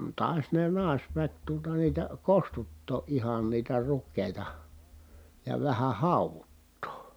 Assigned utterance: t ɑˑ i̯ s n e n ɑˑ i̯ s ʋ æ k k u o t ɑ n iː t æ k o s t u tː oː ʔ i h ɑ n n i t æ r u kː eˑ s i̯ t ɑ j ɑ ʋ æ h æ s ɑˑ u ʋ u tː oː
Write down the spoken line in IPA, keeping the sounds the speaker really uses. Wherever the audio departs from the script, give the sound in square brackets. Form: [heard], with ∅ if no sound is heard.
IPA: t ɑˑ i̯ s n e n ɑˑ i̯ s ʋ æ k [t] u o t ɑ n iː t æ k o s t u tː oː ʔ i h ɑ n n [iː] t æ r u kː eˑ [∅] i̯ t ɑ j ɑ ʋ æ h æ [h] ɑˑ u ʋ u tː oː